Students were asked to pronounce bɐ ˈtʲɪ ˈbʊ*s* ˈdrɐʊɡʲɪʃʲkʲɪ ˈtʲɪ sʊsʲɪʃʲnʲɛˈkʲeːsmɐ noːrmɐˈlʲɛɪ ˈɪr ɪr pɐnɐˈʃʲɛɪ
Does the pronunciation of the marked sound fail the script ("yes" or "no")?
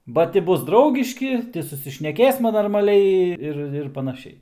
no